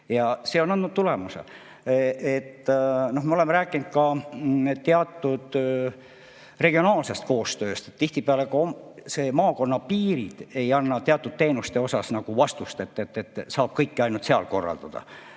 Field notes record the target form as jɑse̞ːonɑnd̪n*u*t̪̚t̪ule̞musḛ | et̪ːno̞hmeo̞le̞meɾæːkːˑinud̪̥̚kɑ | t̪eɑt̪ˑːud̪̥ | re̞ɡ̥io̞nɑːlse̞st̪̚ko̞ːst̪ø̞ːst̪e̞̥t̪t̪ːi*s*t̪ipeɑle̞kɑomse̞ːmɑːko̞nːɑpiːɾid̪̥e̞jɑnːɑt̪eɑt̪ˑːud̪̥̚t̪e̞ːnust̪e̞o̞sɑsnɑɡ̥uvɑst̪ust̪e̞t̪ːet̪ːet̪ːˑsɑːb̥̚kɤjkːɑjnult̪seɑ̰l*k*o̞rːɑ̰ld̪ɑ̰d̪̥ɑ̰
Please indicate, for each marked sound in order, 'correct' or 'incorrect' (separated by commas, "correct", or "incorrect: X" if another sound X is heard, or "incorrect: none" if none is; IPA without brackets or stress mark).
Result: correct, incorrect: h, correct